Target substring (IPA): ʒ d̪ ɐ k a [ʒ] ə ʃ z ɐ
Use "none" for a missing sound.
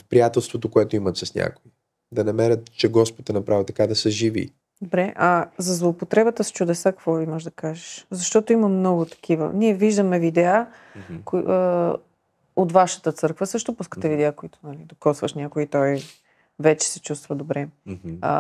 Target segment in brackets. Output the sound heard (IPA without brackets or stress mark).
ʒ